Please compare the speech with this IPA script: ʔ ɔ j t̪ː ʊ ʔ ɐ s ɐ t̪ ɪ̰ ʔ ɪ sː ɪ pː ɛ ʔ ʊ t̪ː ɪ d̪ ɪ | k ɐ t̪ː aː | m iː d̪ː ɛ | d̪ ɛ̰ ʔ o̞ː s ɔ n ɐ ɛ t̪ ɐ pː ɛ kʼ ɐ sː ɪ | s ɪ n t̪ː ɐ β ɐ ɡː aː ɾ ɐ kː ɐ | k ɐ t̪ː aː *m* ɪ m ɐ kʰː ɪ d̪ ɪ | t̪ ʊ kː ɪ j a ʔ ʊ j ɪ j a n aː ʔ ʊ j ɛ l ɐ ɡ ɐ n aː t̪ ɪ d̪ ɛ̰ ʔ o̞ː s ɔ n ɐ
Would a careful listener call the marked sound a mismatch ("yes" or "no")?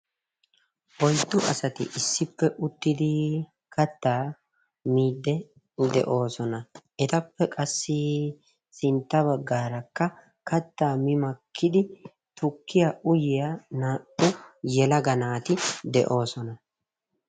no